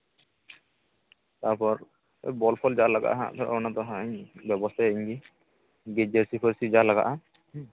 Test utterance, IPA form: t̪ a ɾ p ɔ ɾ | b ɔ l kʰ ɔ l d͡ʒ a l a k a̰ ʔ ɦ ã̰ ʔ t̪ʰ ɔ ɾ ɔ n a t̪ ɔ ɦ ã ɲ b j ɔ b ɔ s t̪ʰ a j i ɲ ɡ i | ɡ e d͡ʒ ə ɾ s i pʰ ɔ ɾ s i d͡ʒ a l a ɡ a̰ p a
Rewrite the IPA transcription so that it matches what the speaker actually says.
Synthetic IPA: t̪ a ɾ p ɔ ɾ | b ɔ l pʰ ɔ l d͡ʒ a l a ɡ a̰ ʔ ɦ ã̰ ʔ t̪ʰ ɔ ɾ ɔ n a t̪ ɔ ɦ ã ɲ b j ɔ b ɔ s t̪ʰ a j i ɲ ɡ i | ɡ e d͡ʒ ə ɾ s i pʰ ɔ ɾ s i d͡ʒ a l a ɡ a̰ ʔ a